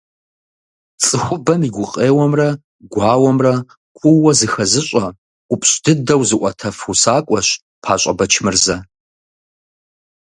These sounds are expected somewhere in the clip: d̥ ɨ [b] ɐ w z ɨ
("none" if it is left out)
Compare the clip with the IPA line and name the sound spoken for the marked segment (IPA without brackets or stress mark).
d